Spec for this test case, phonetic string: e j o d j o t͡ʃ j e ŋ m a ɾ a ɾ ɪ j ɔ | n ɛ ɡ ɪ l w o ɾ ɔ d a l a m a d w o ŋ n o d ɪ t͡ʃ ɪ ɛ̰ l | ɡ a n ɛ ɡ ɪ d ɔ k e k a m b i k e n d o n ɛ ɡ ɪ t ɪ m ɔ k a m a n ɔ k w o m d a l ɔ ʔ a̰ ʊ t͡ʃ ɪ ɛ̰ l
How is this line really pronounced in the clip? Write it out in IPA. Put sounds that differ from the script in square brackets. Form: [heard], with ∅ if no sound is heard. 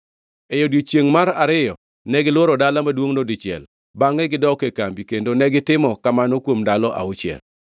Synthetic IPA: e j o d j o t͡ʃ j e ŋ m a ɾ a ɾ ɪ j ɔ | n ɛ ɡ ɪ l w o ɾ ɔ d a l a m a d w o ŋ n o d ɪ t͡ʃ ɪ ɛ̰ l | [b] a [ŋ] ɛ ɡ ɪ d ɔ k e k a m b i k e n d o n ɛ ɡ ɪ t ɪ m ɔ k a m a n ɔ k w o m d a l ɔ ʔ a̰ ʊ t͡ʃ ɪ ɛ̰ l